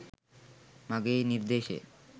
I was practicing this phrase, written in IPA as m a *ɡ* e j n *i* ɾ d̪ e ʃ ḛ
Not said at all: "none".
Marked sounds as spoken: ɡ, i

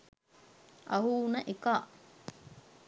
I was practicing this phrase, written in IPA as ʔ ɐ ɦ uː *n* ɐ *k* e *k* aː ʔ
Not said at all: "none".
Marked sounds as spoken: n, ʔ, k

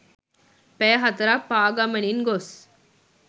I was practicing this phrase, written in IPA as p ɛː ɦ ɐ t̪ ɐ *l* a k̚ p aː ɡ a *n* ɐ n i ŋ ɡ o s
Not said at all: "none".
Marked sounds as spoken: ɾ, m

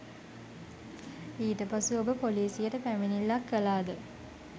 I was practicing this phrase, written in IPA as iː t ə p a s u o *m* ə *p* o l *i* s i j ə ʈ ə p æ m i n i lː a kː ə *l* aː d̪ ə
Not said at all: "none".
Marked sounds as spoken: b, p, iː, l

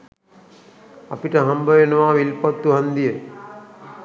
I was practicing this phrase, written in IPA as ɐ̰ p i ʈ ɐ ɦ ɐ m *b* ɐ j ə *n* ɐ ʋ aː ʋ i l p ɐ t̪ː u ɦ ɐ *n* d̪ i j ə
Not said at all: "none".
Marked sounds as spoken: b, n, n

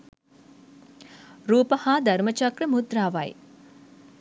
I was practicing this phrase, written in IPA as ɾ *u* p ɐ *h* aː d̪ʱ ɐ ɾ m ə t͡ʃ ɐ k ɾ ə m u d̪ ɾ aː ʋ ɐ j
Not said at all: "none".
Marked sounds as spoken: uː, h

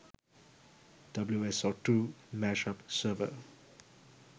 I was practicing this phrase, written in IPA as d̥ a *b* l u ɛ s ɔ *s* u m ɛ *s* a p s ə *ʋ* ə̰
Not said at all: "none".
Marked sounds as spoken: b, t, ʃ, v

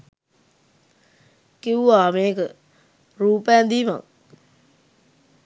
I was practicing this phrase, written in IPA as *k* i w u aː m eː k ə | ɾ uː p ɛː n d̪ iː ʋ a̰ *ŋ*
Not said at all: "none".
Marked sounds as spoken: k, ŋ

